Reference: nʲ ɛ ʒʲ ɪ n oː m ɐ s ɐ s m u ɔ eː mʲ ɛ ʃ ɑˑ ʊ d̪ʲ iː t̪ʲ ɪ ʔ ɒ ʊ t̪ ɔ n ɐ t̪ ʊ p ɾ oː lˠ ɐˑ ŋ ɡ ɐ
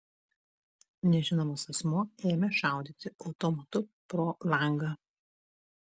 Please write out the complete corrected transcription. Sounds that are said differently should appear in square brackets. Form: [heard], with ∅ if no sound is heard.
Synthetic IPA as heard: nʲ ɛ ʒʲ ɪ n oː m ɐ s ɐ s m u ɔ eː mʲ ɛ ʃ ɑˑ ʊ d̪ʲ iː t̪ʲ ɪ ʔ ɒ ʊ t̪ ɔ [m] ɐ t̪ ʊ p ɾ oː lˠ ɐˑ ŋ ɡ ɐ

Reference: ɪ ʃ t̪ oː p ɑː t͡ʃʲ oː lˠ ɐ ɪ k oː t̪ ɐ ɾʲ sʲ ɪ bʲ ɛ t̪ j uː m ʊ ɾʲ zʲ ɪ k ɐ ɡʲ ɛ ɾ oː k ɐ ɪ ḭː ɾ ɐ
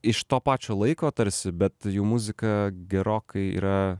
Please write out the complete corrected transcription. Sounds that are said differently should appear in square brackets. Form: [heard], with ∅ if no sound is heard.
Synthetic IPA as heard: ɪ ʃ t̪ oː p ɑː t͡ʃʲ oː lˠ ɐ ɪ k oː t̪ ɐ ɾʲ sʲ ɪ bʲ ɛ t̪ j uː m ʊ [∅] zʲ ɪ k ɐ ɡʲ ɛ ɾ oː k ɐ ɪ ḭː ɾ ɐ

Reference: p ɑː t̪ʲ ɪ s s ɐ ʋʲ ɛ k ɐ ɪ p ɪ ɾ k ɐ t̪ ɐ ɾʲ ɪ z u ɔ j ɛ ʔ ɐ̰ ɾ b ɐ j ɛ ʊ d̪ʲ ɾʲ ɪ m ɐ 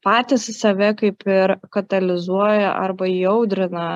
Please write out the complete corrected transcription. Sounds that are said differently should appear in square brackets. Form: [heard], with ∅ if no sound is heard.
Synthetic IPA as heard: p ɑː t̪ʲ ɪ s s ɐ ʋʲ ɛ k ɐ ɪ p ɪ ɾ k ɐ t̪ ɐ [lʲ] ɪ z u ɔ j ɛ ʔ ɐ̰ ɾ b ɐ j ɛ ʊ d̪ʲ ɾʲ ɪ [n] ɐ

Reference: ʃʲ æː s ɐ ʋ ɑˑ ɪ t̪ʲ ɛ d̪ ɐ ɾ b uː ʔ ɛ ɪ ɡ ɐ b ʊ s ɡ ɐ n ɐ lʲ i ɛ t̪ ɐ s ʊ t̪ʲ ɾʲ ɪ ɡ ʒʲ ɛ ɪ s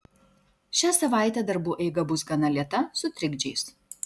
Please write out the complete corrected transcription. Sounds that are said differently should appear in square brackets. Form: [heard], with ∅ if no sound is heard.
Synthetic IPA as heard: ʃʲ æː s ɐ ʋ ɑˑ ɪ t̪ʲ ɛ d̪ ɐ ɾ b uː ʔ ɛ ɪ ɡ ɐ b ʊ s ɡ ɐ n ɐ lʲ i ɛ t̪ ɐ s ʊ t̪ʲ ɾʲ ɪ ɡ [d͡ʒʲ] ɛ ɪ s

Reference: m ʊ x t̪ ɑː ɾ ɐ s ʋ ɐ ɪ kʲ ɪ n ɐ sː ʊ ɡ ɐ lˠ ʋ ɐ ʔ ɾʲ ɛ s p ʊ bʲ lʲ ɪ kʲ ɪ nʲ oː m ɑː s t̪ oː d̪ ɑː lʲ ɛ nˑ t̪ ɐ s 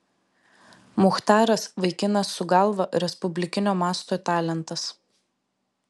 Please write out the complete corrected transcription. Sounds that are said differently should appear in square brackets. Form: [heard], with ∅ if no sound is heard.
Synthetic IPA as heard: m ʊ x t̪ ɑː ɾ ɐ s ʋ ɐ ɪ kʲ ɪ n ɐ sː ʊ ɡ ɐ lˠ ʋ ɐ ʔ ɾʲ ɛ s p ʊ bʲ lʲ ɪ kʲ ɪ nʲ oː m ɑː s t̪ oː [t̪] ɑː lʲ ɛ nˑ t̪ ɐ s

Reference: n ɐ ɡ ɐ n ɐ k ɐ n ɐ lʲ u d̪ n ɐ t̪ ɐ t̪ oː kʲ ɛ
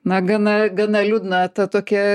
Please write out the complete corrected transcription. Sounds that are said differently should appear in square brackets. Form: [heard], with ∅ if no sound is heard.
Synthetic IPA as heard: n ɐ ɡ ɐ n ɐ [ɡ] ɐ n ɐ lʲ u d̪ n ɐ t̪ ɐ t̪ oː kʲ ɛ

